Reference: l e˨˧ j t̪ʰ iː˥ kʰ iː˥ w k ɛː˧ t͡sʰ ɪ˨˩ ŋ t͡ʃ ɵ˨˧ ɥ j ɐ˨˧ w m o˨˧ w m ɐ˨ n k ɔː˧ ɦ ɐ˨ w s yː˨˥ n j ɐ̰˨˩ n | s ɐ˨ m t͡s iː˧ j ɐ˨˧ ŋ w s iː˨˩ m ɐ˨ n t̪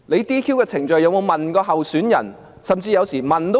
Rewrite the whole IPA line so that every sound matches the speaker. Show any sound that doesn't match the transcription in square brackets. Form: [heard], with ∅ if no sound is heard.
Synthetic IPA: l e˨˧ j [t̪] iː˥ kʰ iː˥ w k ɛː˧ t͡sʰ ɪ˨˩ ŋ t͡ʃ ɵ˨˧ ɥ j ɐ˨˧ w m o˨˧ w m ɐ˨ n k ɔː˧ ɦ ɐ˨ w s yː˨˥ n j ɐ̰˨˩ n | s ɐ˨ m t͡s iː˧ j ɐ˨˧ [∅] w s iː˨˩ m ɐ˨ n t̪